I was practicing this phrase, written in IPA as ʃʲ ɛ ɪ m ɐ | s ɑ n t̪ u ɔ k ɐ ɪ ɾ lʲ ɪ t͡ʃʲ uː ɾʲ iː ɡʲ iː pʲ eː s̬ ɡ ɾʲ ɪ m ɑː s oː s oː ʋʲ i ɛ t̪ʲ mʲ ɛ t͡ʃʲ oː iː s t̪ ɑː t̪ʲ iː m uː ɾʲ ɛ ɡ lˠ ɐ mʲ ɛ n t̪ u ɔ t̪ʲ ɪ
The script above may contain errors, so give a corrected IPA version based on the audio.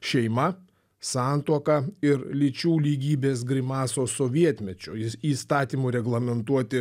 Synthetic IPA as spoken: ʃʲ ɛ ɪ m ɐ | s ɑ n t̪ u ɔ k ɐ ɪ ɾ lʲ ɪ t͡ʃʲ uː lʲ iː ɡʲ iː bʲ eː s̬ ɡ ɾʲ ɪ m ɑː s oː s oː ʋʲ i ɛ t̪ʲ mʲ ɛ t͡ʃʲ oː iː s t̪ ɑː t̪ʲ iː m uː ɾʲ ɛ ɡ lˠ ɐ mʲ ɛ n t̪ u ɔ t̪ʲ ɪ